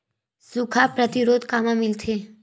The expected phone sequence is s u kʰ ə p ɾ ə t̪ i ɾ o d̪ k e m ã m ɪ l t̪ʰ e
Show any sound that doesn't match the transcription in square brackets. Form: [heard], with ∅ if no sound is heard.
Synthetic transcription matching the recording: s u kʰ [a] p ɾ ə t̪ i ɾ o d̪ k [a] m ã m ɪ l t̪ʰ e